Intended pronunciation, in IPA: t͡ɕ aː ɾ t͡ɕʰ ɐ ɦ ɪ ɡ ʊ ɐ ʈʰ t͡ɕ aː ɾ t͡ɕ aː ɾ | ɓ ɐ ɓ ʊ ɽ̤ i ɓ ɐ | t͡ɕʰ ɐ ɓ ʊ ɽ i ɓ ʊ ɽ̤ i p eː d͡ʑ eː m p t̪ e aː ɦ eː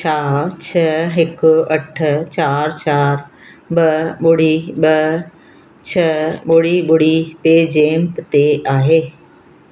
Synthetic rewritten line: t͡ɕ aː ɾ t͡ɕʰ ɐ ɦ ɪ k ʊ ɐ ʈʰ t͡ɕ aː ɾ t͡ɕ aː ɾ | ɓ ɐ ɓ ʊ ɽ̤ i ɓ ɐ | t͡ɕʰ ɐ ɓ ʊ ɽ i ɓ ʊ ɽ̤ i p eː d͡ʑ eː m p t̪ e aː ɦ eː

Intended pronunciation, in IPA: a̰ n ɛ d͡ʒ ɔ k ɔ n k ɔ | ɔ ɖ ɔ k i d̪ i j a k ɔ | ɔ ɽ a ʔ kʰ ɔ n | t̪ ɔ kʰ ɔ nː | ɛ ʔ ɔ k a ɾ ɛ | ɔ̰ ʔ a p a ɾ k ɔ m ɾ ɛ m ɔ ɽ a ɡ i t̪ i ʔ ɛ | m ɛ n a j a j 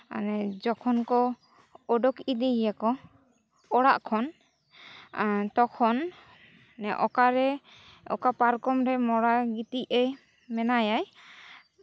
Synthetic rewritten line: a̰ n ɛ d͡ʒ ɔ kʰ ɔ n k ɔ | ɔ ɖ ɔ k i d̪ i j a k ɔ | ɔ ɽ a ʔ kʰ ɔ n | t̪ ɔ kʰ ɔ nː | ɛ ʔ ɔ k a ɾ ɛ | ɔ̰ k a p a ɾ k ɔ m ɾ ɛ m ɔ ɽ a ɡ i t̪ i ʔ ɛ | m ɛ n a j a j

